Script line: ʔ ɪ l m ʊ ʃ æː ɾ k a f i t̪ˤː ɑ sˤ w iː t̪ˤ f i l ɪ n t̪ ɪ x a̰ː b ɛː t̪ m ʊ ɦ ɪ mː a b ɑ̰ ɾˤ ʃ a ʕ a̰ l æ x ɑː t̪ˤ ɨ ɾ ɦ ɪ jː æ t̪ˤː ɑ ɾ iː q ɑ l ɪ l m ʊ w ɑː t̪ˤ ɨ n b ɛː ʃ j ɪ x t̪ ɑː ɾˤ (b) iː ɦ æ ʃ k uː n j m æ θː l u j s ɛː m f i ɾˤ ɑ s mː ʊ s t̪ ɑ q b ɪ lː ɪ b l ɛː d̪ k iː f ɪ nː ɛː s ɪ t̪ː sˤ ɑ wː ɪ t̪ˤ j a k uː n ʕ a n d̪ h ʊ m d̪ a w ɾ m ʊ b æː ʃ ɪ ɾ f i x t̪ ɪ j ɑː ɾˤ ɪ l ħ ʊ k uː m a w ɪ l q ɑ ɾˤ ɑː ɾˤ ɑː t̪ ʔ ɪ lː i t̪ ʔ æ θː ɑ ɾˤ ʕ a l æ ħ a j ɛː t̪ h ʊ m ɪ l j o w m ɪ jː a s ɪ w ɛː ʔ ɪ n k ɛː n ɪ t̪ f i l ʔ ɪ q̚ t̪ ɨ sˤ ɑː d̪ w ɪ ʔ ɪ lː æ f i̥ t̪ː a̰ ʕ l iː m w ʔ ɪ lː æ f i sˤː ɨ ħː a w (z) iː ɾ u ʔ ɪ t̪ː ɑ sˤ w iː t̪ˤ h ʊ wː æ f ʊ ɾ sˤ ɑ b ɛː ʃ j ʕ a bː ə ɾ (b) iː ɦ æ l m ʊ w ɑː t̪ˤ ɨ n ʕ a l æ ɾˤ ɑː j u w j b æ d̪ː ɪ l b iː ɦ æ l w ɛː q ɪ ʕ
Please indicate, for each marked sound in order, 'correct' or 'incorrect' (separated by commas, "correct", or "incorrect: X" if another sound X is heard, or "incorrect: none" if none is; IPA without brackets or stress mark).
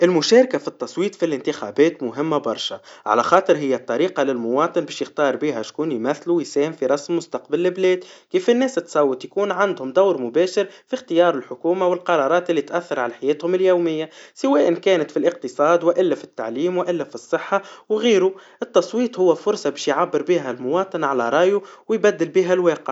correct, incorrect: ɣ, correct